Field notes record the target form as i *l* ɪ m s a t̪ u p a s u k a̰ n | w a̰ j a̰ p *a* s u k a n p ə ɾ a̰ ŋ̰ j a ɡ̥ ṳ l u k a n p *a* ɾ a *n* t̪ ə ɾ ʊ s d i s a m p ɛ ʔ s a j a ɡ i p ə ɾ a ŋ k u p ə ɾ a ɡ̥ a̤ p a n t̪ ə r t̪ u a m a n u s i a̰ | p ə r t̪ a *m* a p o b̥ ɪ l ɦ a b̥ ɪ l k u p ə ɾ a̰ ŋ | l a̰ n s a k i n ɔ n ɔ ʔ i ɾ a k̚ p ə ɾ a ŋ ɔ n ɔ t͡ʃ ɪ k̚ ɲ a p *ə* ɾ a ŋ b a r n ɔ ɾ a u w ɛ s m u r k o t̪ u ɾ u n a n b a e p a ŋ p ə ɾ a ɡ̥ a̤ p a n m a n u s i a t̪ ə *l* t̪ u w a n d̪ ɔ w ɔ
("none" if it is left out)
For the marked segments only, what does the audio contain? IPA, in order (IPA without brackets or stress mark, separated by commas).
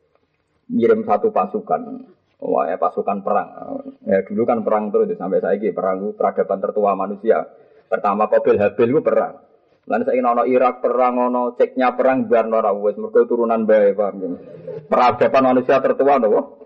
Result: ɾ, a, ə, ŋ, m, ə, r